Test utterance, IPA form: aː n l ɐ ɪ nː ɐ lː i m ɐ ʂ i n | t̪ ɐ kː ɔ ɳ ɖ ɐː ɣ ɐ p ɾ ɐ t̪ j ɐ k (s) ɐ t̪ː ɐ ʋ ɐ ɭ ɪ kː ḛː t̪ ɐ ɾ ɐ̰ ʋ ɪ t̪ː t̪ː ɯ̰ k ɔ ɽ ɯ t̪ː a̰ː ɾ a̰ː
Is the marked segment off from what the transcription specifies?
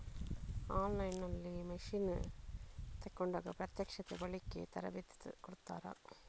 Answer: yes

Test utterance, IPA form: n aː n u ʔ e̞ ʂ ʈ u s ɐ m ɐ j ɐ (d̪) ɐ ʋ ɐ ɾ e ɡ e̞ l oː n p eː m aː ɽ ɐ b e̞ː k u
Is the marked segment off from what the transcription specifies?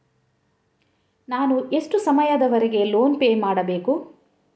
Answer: no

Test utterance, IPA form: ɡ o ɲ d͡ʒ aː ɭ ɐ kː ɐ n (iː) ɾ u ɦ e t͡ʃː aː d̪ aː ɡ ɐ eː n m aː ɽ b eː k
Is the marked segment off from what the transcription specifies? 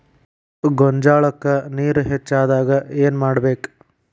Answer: no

